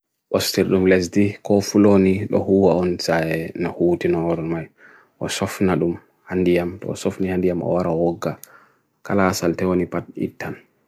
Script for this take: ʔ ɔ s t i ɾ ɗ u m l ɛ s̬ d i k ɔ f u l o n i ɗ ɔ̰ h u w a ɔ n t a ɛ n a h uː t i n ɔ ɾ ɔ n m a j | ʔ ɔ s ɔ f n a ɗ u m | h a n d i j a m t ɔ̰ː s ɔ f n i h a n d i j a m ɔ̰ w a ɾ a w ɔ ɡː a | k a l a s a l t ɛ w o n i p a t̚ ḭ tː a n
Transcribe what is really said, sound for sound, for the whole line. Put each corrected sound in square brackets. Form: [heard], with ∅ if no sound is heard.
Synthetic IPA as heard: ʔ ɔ s t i ɾ ɗ u m l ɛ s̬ d i k ɔ f u l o n i ɗ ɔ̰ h u w a ɔ n [s] a ɛ n a h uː t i n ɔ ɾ ɔ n m a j | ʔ ɔ s ɔ f n a ɗ u m | h a n d i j a m t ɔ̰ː s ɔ f n i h a n d i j a m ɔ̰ w a ɾ a w ɔ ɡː a | k a l a s a l t ɛ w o n i p a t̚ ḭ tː a n